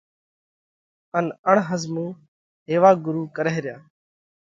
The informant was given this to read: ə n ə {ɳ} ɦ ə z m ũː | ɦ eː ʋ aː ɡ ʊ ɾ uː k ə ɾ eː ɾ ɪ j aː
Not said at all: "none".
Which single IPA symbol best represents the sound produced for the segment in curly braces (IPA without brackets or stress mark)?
ɳ